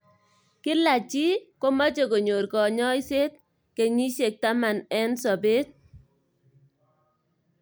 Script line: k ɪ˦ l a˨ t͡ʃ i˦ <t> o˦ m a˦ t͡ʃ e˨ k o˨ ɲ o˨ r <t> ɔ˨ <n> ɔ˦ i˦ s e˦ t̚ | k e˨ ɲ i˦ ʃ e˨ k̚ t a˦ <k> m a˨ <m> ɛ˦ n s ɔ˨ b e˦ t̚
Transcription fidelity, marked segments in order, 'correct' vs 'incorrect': incorrect, incorrect, incorrect, incorrect, incorrect

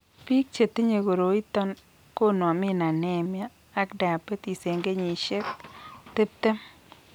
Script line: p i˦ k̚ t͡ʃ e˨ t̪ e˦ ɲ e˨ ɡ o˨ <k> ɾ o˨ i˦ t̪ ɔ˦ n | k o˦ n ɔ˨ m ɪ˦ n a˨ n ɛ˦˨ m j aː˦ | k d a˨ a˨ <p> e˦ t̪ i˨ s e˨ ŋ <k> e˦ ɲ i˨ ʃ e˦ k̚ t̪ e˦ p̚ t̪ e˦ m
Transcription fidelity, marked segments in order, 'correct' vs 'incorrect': incorrect, correct, incorrect

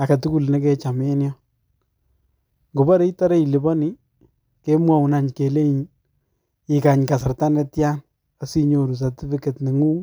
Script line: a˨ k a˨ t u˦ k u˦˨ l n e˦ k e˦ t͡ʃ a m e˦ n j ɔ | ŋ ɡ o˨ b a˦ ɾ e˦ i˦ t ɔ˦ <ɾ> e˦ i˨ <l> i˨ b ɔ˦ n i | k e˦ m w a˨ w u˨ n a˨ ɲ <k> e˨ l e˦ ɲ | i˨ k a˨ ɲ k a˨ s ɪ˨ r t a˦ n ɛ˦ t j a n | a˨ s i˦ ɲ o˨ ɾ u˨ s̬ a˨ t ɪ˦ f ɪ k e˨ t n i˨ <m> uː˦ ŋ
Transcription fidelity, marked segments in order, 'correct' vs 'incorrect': correct, correct, correct, incorrect

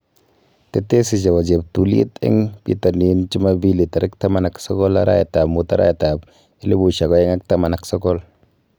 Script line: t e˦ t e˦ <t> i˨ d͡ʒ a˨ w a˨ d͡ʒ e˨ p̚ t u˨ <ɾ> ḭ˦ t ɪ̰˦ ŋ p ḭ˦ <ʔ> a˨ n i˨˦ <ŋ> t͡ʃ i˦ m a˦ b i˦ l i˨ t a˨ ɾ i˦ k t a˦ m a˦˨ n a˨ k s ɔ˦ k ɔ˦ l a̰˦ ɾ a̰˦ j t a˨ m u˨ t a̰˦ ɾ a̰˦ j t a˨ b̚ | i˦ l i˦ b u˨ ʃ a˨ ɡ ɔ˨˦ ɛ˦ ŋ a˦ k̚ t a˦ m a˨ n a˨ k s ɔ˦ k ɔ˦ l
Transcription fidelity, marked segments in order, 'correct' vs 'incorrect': incorrect, incorrect, incorrect, incorrect

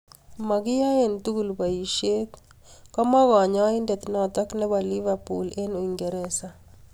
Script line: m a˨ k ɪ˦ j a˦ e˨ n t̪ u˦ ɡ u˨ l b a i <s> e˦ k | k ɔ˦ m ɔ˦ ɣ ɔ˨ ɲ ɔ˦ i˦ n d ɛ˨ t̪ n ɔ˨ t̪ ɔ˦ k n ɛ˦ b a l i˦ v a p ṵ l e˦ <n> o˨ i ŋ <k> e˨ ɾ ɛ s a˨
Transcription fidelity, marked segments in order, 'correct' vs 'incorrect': incorrect, correct, incorrect

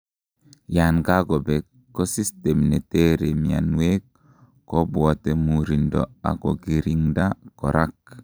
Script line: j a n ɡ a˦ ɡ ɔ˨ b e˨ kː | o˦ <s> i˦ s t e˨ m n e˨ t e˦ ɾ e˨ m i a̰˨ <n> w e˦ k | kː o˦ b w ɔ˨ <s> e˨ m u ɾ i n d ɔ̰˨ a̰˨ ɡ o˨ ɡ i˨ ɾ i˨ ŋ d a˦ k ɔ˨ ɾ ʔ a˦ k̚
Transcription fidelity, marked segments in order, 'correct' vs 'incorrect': correct, correct, incorrect

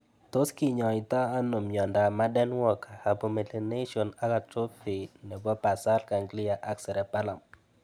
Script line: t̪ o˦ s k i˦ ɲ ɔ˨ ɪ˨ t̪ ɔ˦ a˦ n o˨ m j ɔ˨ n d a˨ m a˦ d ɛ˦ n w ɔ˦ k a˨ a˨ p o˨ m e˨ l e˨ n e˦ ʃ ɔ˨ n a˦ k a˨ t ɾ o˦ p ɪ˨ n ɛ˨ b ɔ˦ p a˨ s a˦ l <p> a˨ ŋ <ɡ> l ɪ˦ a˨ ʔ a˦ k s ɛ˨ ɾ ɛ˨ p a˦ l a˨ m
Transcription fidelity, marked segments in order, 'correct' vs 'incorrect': incorrect, correct

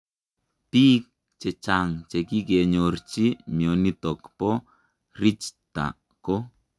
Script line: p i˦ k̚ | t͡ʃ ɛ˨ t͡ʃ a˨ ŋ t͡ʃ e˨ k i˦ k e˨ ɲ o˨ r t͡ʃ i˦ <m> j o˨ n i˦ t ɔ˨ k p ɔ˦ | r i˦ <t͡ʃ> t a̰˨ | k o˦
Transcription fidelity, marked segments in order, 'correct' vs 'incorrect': correct, correct

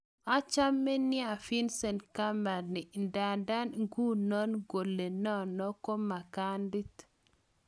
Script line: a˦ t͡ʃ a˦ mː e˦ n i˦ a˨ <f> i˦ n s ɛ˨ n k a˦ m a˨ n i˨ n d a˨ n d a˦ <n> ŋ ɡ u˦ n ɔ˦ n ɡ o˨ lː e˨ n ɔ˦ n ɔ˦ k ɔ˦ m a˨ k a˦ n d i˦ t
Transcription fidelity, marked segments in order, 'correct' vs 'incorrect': correct, correct

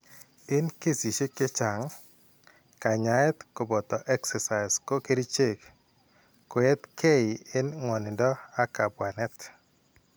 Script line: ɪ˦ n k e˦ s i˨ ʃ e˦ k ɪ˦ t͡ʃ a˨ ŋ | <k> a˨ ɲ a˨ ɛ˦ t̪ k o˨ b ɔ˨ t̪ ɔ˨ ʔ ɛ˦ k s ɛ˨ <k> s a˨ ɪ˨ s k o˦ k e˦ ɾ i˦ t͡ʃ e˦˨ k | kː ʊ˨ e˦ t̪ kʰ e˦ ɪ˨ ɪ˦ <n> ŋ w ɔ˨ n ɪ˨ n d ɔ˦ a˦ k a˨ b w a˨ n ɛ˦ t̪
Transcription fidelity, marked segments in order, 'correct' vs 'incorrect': correct, incorrect, correct

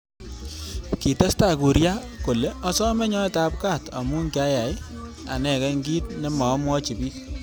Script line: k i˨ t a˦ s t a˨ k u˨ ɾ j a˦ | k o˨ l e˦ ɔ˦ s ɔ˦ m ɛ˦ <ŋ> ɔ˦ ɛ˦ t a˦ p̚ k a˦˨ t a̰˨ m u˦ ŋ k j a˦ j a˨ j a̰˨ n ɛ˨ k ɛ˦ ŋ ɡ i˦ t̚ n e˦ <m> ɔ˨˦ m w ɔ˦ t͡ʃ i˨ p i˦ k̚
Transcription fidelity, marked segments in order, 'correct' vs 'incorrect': incorrect, correct

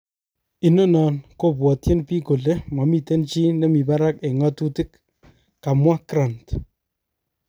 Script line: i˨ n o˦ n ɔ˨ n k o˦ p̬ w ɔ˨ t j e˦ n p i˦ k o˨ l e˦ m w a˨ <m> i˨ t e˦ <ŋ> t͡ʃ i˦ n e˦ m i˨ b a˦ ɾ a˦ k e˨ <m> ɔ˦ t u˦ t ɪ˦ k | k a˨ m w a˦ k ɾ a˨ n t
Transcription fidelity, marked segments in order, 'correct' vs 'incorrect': correct, incorrect, incorrect

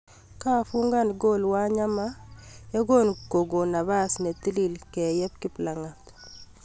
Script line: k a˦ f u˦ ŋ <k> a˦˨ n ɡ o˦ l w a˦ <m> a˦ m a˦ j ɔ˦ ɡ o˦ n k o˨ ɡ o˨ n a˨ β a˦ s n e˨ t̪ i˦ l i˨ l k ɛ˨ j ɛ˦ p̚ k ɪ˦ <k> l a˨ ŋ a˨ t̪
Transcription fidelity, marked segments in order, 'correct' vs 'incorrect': incorrect, incorrect, incorrect

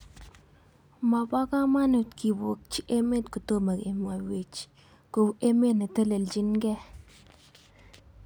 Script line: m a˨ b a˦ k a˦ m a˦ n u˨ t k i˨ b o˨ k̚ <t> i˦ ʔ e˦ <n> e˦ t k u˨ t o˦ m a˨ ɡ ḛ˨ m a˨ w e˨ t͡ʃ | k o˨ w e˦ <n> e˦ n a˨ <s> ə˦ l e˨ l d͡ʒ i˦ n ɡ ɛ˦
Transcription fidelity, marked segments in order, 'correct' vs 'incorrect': incorrect, incorrect, incorrect, incorrect

